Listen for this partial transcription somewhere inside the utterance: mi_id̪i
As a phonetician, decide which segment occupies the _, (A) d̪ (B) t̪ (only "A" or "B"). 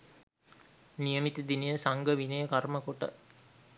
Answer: B